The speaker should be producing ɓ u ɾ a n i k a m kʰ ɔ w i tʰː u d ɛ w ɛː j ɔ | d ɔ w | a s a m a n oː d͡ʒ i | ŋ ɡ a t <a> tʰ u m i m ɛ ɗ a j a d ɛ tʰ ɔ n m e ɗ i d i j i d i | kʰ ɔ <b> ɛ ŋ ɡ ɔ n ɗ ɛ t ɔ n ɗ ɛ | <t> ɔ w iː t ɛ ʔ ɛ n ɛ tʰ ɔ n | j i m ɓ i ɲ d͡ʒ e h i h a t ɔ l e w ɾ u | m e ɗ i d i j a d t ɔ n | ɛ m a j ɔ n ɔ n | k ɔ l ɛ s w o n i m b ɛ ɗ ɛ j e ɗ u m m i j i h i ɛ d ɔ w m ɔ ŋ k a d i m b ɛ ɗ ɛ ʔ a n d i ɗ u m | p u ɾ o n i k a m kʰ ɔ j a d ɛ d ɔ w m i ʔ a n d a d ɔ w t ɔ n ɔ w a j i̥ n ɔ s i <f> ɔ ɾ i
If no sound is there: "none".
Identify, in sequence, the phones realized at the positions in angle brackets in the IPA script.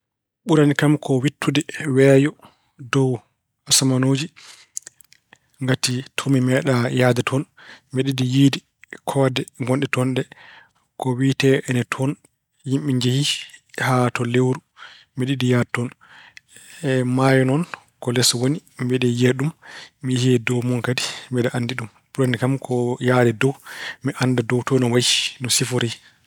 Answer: i, d, k, f

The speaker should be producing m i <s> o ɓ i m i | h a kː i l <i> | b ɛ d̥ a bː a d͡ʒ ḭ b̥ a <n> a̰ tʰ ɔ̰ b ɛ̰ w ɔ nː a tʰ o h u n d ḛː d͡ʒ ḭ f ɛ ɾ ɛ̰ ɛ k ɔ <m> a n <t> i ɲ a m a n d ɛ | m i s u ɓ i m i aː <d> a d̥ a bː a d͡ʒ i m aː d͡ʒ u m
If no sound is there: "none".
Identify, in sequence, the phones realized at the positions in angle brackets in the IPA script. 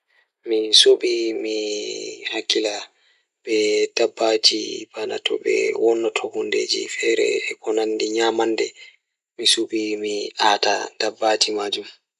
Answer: s, a, n, n, d, t

